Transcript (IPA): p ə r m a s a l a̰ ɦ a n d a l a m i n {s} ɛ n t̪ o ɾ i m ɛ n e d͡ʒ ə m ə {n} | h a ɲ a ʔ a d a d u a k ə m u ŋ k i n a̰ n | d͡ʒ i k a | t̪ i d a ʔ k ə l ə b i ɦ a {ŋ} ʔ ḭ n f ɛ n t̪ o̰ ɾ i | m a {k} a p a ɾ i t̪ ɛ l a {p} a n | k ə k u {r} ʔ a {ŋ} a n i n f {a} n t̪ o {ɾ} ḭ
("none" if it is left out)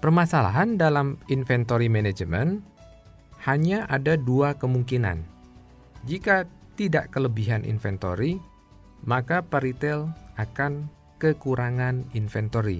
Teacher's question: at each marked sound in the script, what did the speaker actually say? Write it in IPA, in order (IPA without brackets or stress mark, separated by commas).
f, n, n, k, k, ɾ, ŋ, ɛ, ɾ